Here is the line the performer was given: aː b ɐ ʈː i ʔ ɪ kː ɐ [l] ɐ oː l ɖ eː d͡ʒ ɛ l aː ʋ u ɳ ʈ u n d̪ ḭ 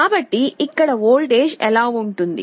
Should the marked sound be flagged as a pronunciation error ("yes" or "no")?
yes